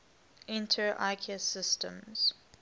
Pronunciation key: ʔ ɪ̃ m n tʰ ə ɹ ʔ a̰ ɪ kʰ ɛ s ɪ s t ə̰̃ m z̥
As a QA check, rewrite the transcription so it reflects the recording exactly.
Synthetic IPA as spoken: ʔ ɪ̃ n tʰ ə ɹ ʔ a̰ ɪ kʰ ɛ s ɪ s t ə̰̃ m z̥